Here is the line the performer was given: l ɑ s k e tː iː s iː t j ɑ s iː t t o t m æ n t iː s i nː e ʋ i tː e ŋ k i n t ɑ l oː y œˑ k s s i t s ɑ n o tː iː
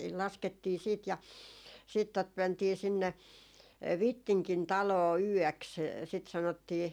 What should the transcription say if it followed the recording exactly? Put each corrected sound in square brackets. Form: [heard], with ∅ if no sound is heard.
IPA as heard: l ɑ s k e tː iː s iː t j ɑ s iː t t o t m æ n t iː s i nː e ʋ i tː [i] ŋ k i n t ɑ l oː y œˑ k s s i t s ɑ n o tː iː